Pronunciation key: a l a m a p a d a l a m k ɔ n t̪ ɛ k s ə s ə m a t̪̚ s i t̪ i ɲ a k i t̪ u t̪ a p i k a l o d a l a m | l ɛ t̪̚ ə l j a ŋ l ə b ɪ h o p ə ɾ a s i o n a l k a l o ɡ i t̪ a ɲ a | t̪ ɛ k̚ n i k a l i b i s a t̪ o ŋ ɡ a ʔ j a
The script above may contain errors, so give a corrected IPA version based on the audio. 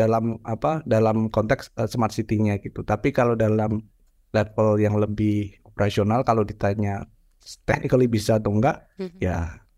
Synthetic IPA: a l a m a p a d a l a m k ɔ n t̪ ɛ k s ə s ə m a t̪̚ s i t̪ i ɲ a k i t̪ u t̪ a p i k a l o d a l a m | l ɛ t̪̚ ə l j a ŋ l ə b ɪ h o p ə ɾ a s i o n a l k a l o d i t̪ a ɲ a | t̪ ɛ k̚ n i k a l i b i s a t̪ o ŋ ɡ a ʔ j a